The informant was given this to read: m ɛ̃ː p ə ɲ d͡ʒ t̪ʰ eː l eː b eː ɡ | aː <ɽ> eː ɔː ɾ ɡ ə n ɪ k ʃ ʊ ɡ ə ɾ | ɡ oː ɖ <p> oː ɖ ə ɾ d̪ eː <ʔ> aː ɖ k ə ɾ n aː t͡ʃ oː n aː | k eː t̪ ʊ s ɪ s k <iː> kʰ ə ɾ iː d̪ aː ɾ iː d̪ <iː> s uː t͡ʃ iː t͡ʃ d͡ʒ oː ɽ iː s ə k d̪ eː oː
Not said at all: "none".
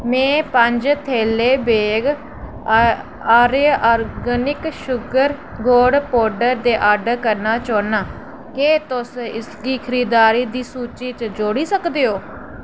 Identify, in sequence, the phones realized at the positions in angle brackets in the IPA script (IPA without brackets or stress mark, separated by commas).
ɾ, p, ʔ, iː, iː